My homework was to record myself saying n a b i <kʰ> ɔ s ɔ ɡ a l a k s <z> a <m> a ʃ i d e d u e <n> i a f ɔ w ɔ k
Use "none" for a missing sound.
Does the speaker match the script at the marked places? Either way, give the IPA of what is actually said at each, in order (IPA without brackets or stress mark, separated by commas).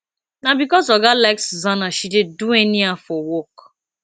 k, z, n, n